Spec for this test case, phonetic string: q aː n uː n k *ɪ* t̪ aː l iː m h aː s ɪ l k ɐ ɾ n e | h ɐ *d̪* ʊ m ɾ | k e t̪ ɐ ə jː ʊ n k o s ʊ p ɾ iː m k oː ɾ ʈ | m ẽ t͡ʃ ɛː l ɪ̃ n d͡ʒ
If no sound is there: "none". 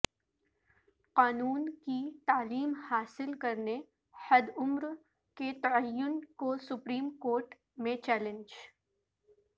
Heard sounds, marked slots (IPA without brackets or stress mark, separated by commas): i, d̪